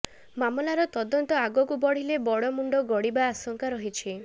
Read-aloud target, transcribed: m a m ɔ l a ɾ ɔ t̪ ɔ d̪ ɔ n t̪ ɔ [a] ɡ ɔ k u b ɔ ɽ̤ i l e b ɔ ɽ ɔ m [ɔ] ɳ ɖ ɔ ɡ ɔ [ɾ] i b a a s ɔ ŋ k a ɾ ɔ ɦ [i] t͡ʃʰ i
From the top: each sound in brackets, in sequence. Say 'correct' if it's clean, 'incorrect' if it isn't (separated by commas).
correct, incorrect, incorrect, correct